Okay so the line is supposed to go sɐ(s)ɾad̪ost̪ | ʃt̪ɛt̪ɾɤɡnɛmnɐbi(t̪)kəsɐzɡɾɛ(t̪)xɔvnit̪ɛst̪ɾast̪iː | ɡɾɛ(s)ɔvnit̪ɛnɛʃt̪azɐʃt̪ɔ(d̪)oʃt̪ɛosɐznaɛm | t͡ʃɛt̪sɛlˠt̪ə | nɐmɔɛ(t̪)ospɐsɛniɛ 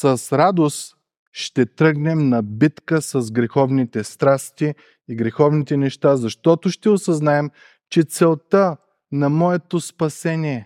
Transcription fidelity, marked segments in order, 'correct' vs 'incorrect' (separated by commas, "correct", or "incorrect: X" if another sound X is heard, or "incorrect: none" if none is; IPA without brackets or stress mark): correct, correct, incorrect: none, incorrect: x, incorrect: t̪, correct